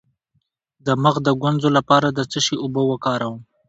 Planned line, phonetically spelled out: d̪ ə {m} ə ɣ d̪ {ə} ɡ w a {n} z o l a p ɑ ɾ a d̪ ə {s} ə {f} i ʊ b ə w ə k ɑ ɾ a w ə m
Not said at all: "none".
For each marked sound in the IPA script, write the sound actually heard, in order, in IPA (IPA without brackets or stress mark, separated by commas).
m, ə, n, t͡s, ʃ